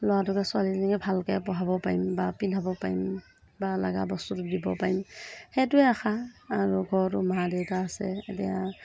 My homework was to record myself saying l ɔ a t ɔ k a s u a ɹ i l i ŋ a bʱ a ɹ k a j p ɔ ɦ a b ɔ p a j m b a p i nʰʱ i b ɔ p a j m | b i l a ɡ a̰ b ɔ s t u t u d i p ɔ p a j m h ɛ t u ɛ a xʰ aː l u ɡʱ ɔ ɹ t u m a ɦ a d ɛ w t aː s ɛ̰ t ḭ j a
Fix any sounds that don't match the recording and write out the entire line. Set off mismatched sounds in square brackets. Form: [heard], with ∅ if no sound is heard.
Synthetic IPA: l ɔ a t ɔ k a s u a [l] i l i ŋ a bʱ a [l] k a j p ɔ ɦ a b ɔ p a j m b a p i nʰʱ [a] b ɔ p a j m | b [a] l a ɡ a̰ b ɔ s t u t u d i [b] ɔ p a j m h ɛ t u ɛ a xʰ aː [ɹ] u ɡʱ ɔ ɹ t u m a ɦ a d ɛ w t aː s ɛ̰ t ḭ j a